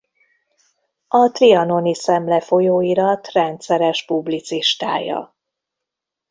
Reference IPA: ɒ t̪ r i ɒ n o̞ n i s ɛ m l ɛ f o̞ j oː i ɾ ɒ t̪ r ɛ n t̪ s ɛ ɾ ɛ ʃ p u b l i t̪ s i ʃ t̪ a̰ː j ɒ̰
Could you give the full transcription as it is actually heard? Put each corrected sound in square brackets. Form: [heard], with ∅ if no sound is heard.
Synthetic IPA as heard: ɒ t̪ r i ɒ n o̞ n i s ɛ m l ɛ f o̞ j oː i ɾ ɒ t̪ r ɛ n t̪ s ɛ ɾ ɛ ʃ p u b l i t̪ s i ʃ t̪ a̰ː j ɒ̰

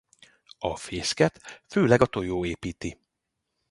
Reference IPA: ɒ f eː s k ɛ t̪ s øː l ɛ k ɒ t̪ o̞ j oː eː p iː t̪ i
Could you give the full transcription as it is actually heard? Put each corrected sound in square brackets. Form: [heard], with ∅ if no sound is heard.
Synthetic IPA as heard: ɒ f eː s k ɛ t̪ [f] øː l ɛ [ɡ] ɒ t̪ o̞ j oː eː p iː t̪ i

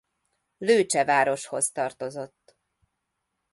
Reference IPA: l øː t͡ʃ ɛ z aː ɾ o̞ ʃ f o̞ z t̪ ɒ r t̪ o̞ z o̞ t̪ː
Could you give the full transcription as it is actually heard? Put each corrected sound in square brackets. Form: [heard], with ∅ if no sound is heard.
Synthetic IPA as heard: l øː t͡ʃ ɛ [v] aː ɾ o̞ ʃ [h] o̞ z t̪ ɒ r t̪ o̞ z o̞ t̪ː

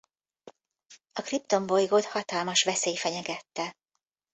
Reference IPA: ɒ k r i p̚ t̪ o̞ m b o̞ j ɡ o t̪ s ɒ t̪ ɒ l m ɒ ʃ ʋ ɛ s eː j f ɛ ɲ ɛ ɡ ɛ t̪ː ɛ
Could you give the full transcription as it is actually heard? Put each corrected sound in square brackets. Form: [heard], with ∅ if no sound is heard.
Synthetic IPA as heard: ɒ k r i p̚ t̪ o̞ m b o̞ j ɡ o t̪ [h] ɒ t̪ ɒ l m ɒ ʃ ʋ ɛ s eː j f ɛ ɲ ɛ ɡ ɛ t̪ː ɛ

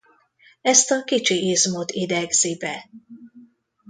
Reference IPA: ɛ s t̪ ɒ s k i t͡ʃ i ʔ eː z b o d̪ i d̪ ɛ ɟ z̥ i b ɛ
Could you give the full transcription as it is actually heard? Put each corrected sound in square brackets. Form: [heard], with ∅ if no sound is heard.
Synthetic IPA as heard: ɛ s t̪ ɒ [∅] k i t͡ʃ i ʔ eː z [m] o [t̪] i d̪ ɛ [ɡ] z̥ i b ɛ

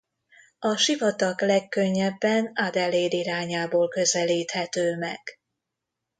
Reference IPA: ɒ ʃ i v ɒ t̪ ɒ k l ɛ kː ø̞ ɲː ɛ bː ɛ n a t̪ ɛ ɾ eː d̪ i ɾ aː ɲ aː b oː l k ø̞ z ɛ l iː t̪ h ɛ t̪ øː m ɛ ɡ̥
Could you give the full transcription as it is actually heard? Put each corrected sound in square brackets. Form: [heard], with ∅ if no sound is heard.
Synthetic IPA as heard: ɒ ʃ i v ɒ t̪ ɒ k l ɛ kː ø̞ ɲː ɛ bː ɛ n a [d̪] ɛ [l] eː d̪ i ɾ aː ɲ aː b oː l k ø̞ z ɛ l iː t̪ h ɛ t̪ øː m ɛ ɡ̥

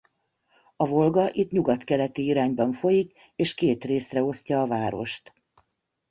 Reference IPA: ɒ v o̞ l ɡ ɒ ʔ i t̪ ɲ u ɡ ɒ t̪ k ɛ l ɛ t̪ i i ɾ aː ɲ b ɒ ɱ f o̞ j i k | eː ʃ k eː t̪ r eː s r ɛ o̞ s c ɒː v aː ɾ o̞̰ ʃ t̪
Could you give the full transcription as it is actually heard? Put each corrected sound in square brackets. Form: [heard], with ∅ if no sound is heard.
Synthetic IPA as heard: ɒ v o̞ l ɡ ɒ ʔ i t̪ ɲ u ɡ ɒ t̪ k ɛ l ɛ t̪ i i ɾ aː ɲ b ɒ ɱ f o̞ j i k | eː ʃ k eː t̪ r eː s r ɛ o̞ s c ɒː v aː ɾ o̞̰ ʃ t̪

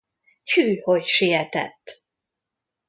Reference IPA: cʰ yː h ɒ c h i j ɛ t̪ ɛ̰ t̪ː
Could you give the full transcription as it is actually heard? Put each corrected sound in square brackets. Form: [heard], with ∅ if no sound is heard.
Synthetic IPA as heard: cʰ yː h [o] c [ʃ] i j ɛ t̪ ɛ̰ t̪ː

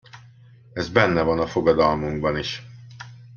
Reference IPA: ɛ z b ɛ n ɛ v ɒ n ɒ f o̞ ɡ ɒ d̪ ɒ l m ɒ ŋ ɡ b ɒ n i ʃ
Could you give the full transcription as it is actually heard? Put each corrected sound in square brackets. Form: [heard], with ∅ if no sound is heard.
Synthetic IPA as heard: ɛ z b ɛ [nː] ɛ v ɒ n ɒ f o̞ ɡ ɒ d̪ ɒ l m [u] ŋ ɡ b ɒ n i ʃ

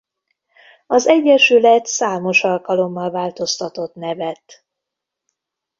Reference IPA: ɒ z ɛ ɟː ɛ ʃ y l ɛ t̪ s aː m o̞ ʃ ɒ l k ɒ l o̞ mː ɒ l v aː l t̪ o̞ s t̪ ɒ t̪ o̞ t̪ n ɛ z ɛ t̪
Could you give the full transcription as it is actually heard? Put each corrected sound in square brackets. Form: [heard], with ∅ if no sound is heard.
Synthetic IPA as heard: ɒ z ɛ ɟː ɛ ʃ y l ɛ t̪ s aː m o̞ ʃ ɒ l k ɒ l o̞ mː ɒ l v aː l t̪ o̞ s t̪ ɒ t̪ o̞ t̪ n ɛ [v] ɛ t̪

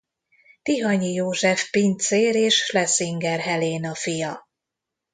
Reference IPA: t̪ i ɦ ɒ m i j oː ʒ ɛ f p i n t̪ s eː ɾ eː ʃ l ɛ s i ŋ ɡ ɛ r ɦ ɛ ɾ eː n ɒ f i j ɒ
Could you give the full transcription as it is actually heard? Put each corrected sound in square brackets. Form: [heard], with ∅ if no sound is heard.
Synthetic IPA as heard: t̪ i ɦ ɒ [ɲ] i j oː ʒ ɛ f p i n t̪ s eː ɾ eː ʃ l ɛ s i ŋ ɡ ɛ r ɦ ɛ [l] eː n ɒ f i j ɒ

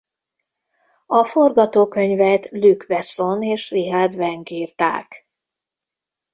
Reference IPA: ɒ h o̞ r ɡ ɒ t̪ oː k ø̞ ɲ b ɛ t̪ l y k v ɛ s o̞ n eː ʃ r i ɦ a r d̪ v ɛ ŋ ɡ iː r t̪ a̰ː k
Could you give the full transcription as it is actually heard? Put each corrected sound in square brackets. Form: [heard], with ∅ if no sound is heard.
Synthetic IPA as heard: ɒ [f] o̞ r ɡ ɒ t̪ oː k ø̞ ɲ [v] ɛ t̪ l y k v ɛ s o̞ n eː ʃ r i ɦ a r d̪ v ɛ ŋ ɡ iː r t̪ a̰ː k

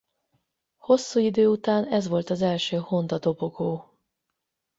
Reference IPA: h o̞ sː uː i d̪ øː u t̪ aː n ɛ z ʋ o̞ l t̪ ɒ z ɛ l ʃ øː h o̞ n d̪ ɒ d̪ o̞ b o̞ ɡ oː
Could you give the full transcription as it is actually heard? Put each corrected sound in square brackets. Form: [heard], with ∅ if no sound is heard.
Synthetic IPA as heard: h o̞ sː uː i d̪ øː u t̪ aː n ɛ z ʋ o̞ l t̪ ɒ z ɛ l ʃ øː h o̞ n d̪ ɒ d̪ o̞ b o̞ ɡ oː

